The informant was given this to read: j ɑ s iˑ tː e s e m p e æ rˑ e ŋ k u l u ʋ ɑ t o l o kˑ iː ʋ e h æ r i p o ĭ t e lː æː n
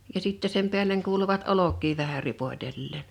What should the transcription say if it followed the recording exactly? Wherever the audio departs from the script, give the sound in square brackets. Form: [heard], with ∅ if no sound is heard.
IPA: j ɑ s iˑ tː e s e m p e æ [lˑ] e ŋ k [uː] l u ʋ ɑ t o l o kˑ iː ʋ [æ] h æ r i p o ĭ t e lː [eː] n